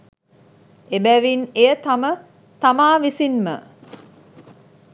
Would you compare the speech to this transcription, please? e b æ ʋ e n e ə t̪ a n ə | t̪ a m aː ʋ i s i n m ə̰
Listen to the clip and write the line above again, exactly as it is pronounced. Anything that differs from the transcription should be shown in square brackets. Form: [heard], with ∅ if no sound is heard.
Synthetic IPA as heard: e b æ ʋ [i] n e ə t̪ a [m] ə | t̪ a m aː ʋ i s i n m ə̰